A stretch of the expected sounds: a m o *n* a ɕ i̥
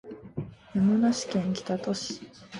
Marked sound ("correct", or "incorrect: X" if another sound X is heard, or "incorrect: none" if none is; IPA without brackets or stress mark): correct